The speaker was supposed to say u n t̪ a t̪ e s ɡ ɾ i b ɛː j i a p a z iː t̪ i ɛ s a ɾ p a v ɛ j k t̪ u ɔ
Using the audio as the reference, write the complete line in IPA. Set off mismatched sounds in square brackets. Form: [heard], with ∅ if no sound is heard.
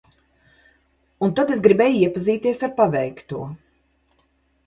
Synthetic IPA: u n t̪ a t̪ e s ɡ ɾ i b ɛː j i [ɛ] p a z iː t̪ i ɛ s a ɾ p a v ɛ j k t̪ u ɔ